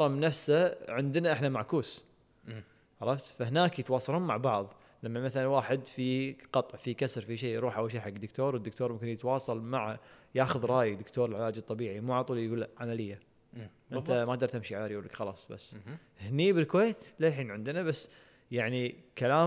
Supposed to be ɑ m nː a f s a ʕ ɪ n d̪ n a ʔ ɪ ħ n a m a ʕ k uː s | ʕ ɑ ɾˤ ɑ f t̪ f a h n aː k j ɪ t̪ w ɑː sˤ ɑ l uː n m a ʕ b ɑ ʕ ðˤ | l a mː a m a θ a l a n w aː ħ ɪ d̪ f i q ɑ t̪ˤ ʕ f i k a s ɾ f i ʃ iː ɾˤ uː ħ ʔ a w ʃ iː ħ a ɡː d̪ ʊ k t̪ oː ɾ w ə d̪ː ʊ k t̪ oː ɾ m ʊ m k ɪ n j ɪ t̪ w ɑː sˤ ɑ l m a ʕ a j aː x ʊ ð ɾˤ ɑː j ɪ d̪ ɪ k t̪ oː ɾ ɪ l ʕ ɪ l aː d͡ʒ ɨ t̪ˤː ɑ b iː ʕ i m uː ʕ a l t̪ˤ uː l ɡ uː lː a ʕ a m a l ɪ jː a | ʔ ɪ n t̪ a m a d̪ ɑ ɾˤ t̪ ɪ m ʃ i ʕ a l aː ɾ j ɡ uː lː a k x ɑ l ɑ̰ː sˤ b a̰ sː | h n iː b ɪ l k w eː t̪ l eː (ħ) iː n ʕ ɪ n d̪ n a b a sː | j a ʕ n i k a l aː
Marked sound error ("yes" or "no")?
no